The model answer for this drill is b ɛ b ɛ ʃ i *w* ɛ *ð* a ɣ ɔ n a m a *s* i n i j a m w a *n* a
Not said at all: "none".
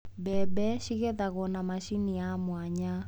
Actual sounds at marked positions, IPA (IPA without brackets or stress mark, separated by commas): ɣ, ð, ʃ, ɲ